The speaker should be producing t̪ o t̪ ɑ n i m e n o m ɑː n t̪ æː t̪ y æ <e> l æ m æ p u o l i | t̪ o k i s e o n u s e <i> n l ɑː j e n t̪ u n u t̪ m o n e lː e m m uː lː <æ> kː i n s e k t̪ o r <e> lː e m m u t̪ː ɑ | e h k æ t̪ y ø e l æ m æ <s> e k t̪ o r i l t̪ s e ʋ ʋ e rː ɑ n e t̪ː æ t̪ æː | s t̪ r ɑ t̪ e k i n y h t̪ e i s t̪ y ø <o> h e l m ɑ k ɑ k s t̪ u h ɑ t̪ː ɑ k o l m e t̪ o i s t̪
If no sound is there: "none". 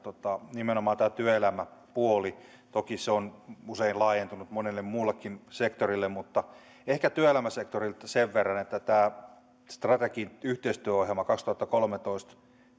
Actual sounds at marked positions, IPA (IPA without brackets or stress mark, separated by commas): e, i, e, i, s, o